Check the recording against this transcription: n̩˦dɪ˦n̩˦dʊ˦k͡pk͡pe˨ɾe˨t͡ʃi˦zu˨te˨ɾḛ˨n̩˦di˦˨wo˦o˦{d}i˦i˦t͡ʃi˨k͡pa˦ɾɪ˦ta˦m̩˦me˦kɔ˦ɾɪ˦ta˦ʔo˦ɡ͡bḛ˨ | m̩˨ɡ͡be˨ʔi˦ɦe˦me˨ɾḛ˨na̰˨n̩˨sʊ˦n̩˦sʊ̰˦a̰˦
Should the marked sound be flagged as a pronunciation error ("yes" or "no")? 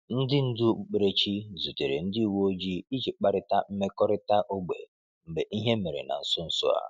yes